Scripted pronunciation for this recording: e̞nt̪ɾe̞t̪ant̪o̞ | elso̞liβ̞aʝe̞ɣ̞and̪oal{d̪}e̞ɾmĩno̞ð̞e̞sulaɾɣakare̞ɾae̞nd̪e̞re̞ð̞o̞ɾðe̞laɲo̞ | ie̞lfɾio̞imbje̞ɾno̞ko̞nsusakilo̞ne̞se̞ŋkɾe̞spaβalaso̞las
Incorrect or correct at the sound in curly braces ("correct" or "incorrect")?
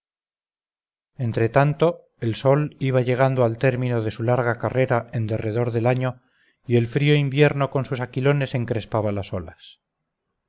incorrect